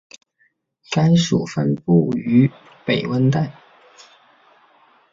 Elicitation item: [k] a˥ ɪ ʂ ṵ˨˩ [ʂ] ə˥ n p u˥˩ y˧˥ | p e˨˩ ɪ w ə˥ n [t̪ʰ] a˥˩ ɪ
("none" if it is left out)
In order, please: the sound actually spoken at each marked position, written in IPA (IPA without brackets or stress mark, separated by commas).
k, f, t̪